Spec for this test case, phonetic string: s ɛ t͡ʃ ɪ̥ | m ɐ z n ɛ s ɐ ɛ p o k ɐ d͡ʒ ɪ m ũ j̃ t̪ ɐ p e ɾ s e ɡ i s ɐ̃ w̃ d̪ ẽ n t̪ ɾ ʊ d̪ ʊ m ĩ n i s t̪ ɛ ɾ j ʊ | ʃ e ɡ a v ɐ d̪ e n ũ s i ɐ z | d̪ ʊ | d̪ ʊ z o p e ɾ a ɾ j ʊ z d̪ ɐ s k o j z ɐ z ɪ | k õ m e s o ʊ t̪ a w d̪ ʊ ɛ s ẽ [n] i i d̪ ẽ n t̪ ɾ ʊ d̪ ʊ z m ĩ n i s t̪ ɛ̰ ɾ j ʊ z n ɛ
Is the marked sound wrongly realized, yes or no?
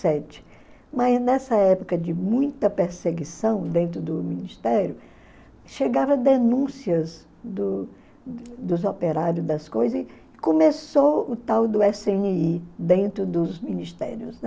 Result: no